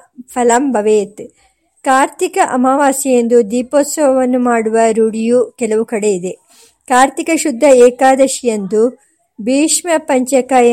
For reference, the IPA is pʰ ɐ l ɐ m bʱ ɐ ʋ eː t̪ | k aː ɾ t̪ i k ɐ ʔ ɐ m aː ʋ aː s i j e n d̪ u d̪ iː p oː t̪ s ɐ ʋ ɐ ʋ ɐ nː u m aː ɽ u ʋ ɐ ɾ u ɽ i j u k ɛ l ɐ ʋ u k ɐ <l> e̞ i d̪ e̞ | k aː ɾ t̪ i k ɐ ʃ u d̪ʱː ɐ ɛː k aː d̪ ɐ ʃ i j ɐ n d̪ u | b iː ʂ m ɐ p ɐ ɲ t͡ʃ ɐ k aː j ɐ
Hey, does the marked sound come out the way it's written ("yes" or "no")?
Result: no